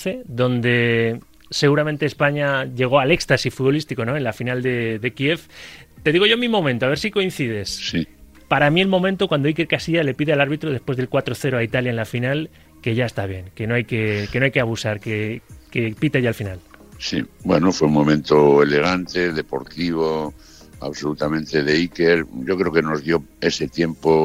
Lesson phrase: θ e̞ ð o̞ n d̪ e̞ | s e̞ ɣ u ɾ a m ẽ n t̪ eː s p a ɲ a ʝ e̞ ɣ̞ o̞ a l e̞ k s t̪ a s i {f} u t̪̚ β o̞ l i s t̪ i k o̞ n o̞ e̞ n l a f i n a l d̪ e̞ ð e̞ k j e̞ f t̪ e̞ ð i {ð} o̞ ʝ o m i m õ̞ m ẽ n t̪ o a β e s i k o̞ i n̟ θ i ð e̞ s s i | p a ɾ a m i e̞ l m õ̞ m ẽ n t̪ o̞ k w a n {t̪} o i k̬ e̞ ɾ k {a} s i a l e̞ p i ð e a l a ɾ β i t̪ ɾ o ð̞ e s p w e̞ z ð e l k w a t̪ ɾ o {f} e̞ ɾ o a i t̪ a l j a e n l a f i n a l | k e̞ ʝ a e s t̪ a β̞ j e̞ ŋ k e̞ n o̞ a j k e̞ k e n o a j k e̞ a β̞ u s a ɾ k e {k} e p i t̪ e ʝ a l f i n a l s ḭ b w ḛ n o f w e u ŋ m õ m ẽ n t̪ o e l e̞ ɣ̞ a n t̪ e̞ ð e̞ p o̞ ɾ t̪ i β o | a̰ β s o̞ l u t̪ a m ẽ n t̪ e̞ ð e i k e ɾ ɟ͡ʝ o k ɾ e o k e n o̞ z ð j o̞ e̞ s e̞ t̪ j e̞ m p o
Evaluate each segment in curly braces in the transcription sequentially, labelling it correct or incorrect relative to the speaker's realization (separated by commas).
correct, incorrect, incorrect, correct, incorrect, correct